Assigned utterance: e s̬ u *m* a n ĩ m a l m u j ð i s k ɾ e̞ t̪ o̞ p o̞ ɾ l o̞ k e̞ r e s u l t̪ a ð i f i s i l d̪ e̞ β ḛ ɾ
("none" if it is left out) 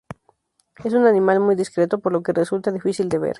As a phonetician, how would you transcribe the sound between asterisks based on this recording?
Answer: n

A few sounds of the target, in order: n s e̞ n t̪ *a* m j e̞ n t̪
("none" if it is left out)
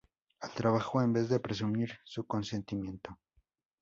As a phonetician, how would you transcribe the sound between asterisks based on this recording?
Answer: i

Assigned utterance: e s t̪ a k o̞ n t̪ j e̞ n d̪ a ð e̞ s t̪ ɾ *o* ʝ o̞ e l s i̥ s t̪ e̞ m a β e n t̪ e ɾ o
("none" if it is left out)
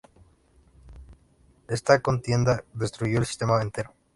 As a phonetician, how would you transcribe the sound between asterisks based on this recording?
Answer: u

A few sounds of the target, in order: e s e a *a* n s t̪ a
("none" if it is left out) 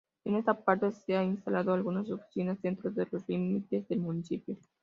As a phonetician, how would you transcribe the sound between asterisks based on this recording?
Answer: i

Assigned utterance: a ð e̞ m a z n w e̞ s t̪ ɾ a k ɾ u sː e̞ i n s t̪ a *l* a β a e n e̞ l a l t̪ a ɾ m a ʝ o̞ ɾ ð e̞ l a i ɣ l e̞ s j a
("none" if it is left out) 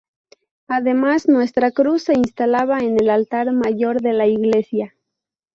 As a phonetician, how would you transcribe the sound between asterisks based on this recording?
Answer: l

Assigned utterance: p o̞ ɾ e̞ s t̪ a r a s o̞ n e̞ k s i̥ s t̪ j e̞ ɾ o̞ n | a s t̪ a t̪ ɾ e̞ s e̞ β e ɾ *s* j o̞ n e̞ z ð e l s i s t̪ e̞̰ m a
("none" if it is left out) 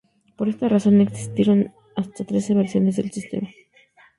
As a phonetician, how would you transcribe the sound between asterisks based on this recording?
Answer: s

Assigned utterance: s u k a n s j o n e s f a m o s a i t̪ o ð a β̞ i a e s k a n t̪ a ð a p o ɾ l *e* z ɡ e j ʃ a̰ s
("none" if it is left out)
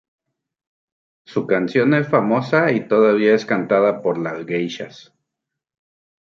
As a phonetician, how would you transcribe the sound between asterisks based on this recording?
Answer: a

